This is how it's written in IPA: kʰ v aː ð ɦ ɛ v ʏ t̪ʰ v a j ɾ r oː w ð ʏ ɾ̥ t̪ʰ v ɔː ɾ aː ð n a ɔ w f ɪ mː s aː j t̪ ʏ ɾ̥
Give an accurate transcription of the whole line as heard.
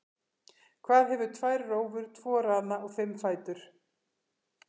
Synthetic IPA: kʰ v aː ð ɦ ɛ v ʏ t̪ʰ v a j ɾ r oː w v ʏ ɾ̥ t̪ʰ v ɔː ɾ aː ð n a ɔ ɣ f ɪ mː f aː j t̪ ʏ ɾ̥